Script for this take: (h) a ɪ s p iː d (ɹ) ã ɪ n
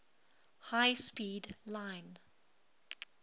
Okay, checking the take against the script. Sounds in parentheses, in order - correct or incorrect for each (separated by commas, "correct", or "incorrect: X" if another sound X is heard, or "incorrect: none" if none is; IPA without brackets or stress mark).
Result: correct, incorrect: l